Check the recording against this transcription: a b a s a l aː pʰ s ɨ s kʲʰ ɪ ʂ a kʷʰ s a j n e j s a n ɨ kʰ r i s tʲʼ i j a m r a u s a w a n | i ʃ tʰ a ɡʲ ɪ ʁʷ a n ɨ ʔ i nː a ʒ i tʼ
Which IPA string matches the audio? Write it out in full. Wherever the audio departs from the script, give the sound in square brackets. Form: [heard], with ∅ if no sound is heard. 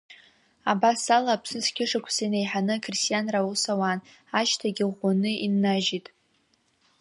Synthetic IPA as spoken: a b a s a l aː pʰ s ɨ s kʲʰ ɪ ʂ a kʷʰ s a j n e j [ħ] a n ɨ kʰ r i s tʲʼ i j a [n] r a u s a w a n | [a] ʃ tʰ a ɡʲ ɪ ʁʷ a n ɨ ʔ i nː a ʒ i tʼ